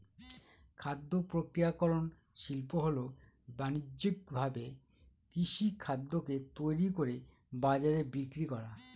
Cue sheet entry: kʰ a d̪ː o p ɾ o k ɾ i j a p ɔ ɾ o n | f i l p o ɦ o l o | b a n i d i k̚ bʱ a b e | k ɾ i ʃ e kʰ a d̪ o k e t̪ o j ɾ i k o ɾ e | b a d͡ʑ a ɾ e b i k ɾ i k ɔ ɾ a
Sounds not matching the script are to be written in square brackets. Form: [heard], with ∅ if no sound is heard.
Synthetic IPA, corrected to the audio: kʰ a d̪ː o p ɾ o k ɾ i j a [k] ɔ ɾ o n | [ʃ] i l p o ɦ o l o | b a n i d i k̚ bʱ a b e | k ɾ i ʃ [i] kʰ a [d̪ː] o k e t̪ o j ɾ i k o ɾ e | b a d͡ʑ a ɾ e b i k ɾ i k ɔ ɾ a